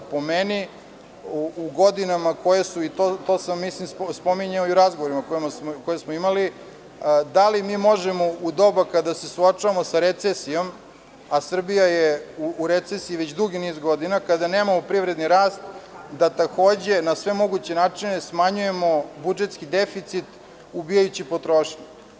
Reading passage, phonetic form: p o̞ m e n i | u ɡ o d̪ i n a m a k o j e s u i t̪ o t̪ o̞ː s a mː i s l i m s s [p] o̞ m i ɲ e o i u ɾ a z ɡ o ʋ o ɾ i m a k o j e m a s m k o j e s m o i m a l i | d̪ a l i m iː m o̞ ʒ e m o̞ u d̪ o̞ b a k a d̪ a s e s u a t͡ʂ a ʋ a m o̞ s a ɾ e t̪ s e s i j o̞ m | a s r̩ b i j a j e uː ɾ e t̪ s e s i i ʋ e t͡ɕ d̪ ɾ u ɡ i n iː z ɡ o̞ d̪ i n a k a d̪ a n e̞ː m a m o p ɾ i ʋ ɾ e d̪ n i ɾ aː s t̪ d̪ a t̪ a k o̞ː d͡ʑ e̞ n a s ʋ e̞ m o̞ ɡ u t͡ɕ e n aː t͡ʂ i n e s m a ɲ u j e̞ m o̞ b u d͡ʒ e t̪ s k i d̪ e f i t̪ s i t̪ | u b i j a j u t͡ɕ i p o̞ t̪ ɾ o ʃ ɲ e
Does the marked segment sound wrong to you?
no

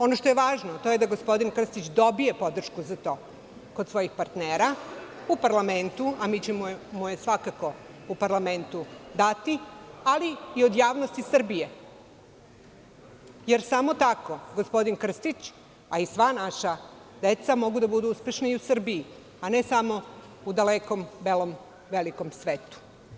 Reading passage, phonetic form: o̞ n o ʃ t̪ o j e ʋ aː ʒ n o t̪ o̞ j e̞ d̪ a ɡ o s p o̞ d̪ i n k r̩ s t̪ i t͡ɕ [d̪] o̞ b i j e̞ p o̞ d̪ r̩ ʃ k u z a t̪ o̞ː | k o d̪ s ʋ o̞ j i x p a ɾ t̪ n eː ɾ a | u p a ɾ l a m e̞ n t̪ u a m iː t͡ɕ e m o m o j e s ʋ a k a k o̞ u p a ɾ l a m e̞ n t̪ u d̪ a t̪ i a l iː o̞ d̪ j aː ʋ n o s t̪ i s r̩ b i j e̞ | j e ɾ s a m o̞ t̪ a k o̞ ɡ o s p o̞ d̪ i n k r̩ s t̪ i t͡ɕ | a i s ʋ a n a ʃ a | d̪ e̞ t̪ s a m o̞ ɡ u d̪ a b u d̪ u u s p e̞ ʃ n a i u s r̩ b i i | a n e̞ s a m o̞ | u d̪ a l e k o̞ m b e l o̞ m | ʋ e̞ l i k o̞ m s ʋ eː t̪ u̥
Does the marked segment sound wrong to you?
no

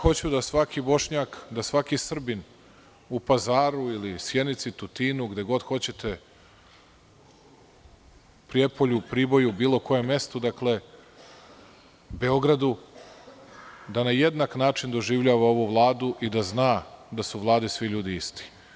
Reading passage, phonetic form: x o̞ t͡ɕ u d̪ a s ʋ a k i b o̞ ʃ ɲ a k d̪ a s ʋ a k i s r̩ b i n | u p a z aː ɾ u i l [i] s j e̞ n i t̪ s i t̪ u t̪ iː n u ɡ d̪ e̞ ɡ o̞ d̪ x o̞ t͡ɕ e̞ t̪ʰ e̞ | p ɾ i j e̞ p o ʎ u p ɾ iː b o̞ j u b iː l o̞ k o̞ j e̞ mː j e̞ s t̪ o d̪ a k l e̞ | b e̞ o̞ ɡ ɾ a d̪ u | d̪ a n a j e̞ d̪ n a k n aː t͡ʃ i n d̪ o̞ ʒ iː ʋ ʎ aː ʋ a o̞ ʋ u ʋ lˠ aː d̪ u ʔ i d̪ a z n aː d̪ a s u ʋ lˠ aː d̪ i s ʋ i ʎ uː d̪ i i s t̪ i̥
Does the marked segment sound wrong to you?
no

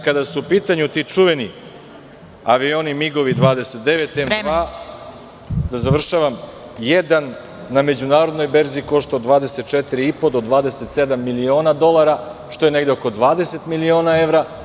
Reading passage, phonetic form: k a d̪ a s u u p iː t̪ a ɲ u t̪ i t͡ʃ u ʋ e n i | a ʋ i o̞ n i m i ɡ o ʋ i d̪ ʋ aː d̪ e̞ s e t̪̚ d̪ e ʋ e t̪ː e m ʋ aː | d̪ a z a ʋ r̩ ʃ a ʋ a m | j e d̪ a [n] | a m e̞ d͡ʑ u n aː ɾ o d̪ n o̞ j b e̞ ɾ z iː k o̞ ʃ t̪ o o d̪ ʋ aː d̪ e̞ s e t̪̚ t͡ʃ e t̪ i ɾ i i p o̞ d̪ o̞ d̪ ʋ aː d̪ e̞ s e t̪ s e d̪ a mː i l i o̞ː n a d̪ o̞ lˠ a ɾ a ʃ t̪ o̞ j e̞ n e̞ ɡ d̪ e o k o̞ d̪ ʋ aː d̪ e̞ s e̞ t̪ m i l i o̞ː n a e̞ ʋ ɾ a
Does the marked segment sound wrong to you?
yes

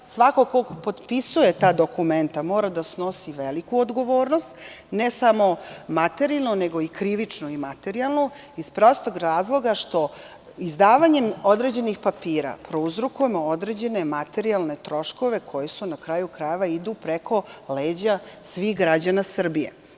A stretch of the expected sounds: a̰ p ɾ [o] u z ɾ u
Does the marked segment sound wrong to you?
no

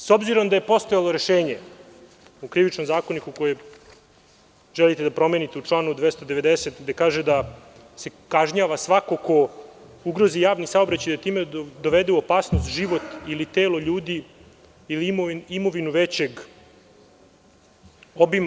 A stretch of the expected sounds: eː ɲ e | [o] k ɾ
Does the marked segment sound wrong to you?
yes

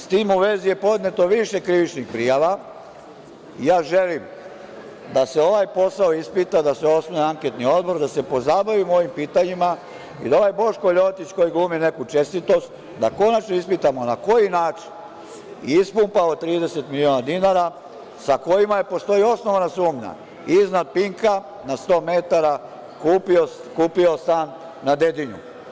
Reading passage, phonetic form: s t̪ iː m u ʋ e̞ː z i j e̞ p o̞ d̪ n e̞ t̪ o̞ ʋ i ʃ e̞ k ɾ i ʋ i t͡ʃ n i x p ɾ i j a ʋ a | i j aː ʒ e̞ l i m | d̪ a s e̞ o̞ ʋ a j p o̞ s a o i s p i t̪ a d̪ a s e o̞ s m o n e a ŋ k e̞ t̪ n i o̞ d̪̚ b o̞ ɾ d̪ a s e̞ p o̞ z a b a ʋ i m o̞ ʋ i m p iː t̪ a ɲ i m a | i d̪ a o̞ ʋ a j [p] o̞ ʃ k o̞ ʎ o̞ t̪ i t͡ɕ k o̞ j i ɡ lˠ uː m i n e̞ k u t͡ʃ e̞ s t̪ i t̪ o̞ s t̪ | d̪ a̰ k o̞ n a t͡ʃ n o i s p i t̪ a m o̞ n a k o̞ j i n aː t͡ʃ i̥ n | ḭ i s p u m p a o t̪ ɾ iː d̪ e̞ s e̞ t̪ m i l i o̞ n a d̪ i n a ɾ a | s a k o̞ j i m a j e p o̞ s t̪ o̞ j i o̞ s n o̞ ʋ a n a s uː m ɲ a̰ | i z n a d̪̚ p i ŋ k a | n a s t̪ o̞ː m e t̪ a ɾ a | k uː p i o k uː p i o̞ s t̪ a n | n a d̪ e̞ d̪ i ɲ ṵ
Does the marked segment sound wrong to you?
yes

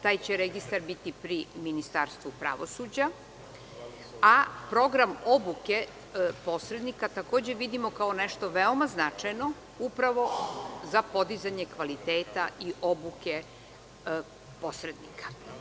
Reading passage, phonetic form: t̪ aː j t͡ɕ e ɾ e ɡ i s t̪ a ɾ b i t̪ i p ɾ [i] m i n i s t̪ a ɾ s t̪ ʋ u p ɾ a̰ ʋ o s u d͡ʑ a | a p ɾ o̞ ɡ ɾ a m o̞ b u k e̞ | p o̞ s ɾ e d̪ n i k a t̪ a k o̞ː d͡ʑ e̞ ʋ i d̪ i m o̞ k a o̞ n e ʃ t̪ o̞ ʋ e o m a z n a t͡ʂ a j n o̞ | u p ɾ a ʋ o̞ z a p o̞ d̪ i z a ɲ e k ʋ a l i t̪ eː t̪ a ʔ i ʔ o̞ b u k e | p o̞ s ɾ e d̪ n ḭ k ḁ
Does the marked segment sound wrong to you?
no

